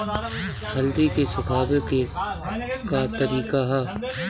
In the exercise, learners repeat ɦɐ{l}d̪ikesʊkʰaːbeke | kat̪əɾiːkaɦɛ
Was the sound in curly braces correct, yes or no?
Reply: yes